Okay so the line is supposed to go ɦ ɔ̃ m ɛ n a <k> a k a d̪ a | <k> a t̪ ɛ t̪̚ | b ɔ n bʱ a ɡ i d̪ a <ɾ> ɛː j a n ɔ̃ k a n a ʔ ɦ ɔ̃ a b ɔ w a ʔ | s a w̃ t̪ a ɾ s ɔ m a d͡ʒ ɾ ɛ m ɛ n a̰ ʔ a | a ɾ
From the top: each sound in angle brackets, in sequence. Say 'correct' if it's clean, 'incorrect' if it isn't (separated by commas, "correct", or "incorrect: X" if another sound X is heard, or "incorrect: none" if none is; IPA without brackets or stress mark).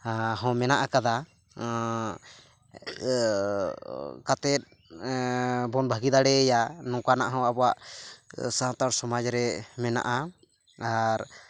incorrect: ʔ, correct, incorrect: ɽ